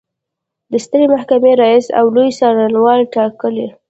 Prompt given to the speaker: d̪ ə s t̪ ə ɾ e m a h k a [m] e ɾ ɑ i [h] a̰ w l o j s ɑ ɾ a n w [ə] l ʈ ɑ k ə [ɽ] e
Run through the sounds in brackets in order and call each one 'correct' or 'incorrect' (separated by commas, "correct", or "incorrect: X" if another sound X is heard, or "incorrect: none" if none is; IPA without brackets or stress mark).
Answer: correct, incorrect: s, incorrect: ɑ, incorrect: l